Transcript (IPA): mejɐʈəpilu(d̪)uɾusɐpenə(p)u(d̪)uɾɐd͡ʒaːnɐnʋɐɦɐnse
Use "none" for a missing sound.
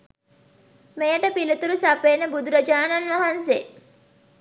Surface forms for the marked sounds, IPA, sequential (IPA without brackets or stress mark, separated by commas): t̪, b, d̪